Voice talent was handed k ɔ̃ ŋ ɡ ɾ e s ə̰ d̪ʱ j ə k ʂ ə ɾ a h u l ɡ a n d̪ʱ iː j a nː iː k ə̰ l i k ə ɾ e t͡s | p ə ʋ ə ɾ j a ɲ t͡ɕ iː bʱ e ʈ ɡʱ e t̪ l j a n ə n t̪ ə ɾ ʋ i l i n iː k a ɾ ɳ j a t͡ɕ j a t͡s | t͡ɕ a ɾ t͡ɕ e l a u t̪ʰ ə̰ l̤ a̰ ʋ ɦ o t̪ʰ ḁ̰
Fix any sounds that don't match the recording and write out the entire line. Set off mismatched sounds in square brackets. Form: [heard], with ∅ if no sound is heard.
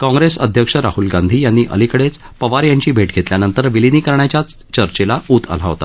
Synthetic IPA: k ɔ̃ ŋ ɡ ɾ e s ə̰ d̪ʱ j ə k ʂ ə ɾ a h u l ɡ a n d̪ʱ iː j a nː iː [ʔ] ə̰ l i k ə [ɽ] e t͡s | p ə ʋ [a] ɾ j a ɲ t͡ɕ iː bʱ e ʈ ɡʱ e t̪ l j a n ə n t̪ ə ɾ ʋ i l i n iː k [ə] ɾ ɳ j a t͡ɕ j a t͡s | t͡ɕ [ə] ɾ t͡ɕ e l a u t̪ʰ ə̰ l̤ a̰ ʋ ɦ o [t̪] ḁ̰